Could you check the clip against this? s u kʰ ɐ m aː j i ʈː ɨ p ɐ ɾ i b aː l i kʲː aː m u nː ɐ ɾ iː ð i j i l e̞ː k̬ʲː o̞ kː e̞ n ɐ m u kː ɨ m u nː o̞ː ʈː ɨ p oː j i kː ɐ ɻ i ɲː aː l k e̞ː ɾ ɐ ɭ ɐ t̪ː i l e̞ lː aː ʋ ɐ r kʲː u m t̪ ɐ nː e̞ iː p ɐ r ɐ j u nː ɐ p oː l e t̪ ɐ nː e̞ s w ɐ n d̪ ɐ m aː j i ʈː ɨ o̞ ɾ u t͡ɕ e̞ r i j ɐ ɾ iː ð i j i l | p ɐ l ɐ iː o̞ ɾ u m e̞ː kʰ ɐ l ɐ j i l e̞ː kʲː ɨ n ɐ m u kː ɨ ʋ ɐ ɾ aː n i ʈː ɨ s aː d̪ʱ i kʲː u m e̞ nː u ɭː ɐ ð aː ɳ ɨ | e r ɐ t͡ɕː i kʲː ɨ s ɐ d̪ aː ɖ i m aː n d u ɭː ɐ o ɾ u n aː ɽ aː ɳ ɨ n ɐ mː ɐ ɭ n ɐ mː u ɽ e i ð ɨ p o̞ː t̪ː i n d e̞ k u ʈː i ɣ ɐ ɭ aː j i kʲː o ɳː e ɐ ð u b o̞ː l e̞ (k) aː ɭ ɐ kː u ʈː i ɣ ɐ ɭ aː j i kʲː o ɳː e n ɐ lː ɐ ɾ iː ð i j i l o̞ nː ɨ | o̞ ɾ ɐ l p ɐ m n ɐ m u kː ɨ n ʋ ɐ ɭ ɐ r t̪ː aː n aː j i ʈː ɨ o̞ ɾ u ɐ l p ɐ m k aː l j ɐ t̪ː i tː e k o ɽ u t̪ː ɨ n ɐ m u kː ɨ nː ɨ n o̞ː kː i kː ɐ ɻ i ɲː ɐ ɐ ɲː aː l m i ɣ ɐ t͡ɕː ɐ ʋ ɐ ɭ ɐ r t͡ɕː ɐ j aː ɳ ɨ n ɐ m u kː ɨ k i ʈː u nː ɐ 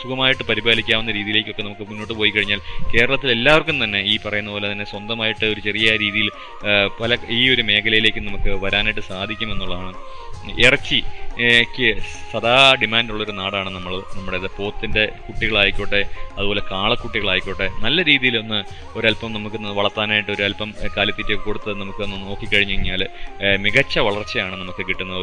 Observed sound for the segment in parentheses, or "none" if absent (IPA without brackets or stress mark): k